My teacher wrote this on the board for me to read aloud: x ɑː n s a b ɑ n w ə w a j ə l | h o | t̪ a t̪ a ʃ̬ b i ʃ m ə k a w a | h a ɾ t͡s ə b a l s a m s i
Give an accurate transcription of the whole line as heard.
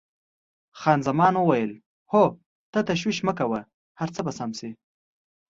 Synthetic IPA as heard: x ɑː n z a m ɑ n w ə w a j ə l | h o | t̪ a t̪ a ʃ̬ w i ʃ m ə k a w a | h a ɾ t͡s ə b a s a m s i